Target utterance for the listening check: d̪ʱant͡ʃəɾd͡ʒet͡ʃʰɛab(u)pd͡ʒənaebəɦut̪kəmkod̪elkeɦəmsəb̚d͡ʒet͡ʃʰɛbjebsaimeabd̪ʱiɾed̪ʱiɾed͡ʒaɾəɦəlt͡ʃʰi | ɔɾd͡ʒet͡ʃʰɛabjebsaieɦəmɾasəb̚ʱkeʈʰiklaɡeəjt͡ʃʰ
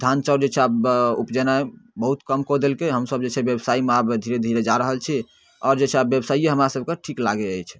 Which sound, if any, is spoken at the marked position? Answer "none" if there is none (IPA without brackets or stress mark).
u